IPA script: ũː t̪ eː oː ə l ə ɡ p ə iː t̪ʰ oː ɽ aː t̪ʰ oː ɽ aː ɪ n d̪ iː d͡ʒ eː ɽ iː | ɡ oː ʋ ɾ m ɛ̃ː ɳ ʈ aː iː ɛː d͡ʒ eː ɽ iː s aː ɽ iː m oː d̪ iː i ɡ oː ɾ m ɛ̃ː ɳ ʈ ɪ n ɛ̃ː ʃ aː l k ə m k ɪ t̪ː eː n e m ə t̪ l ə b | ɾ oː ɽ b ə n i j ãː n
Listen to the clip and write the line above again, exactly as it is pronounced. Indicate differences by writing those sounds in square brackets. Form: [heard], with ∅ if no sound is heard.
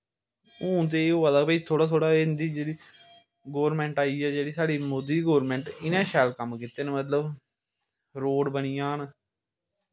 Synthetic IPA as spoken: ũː t̪ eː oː ə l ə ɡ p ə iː t̪ʰ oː ɽ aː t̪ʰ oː ɽ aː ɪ n d̪ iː d͡ʒ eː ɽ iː | ɡ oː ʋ ɾ m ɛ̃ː ɳ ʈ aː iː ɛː d͡ʒ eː ɽ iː s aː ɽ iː m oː d̪ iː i ɡ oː ɾ m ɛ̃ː ɳ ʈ ɪ n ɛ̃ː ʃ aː l k ə m k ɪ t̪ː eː n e m ə t̪ l ə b | ɾ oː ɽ b ə n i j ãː n